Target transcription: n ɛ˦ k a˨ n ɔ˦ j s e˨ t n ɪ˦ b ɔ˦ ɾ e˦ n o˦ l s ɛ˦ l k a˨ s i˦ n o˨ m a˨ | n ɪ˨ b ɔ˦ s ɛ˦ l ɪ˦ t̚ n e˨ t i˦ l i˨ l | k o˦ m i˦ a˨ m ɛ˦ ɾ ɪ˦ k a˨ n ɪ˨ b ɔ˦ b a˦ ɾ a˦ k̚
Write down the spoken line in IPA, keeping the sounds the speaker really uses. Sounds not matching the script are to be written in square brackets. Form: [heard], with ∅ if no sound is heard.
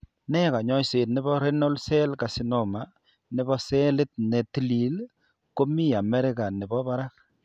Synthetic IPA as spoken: n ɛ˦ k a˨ [ɲ] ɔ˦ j s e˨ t n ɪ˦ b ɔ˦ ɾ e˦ n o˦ l s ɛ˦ l k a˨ s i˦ n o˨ m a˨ | n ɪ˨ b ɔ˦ s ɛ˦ l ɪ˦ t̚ n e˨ t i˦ l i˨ l | k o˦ m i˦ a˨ m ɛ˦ ɾ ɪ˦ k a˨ n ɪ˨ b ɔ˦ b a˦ ɾ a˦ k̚